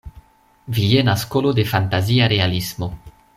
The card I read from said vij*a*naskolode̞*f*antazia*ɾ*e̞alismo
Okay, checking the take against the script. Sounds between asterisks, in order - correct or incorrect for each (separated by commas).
incorrect, correct, correct